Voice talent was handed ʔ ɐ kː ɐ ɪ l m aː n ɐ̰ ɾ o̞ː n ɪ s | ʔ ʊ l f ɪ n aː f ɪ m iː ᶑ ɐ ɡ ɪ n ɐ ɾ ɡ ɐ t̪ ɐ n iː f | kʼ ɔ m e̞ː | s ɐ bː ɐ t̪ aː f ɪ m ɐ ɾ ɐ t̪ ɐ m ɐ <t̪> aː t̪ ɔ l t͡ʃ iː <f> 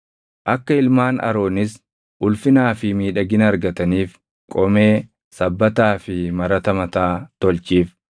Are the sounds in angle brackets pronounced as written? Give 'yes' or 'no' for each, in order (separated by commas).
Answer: yes, yes